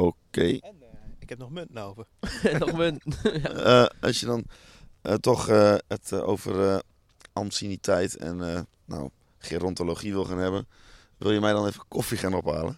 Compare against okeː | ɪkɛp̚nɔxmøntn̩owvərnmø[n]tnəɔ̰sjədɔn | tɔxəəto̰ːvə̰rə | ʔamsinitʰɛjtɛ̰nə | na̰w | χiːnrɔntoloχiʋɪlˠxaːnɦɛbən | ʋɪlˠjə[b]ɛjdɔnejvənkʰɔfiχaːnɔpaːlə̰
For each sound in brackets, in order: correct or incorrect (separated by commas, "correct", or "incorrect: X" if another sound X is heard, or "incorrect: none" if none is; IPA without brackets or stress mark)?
correct, incorrect: m